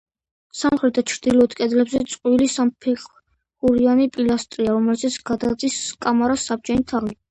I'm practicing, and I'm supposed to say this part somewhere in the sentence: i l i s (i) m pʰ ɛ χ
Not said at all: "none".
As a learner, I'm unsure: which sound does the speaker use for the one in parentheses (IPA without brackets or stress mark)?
a